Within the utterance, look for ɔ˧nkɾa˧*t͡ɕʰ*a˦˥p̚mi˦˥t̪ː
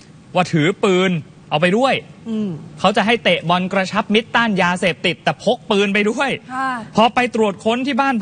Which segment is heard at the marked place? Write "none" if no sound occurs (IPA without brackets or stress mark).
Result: t͡ɕʰ